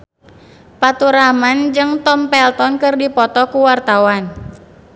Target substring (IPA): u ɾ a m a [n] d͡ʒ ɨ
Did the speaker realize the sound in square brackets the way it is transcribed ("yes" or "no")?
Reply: yes